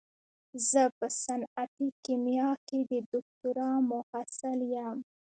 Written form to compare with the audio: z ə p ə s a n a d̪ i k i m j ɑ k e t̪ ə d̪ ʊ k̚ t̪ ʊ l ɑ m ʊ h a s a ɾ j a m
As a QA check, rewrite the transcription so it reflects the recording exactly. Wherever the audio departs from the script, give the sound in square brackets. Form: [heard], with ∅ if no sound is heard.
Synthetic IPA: z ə p ə s a n a [t̪] i k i m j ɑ k e [d̪] ə d̪ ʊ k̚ t̪ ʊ [ɾ] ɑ m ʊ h a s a [l] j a m